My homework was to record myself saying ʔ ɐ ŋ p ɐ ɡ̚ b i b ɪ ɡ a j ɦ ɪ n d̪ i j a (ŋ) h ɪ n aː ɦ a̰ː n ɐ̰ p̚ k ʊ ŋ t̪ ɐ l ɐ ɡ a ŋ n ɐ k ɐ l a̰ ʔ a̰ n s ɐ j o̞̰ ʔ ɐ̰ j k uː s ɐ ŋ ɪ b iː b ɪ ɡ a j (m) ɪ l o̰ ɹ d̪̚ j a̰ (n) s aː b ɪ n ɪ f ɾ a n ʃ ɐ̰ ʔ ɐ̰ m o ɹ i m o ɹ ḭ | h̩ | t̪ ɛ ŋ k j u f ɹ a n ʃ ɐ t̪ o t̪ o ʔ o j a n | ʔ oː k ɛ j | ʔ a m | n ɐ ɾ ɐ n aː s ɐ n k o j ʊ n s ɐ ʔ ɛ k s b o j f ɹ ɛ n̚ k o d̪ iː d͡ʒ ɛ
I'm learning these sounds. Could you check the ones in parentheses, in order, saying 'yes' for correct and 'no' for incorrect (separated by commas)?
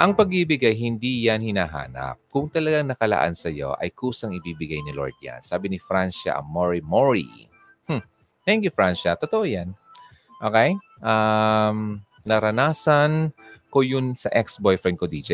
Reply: no, no, yes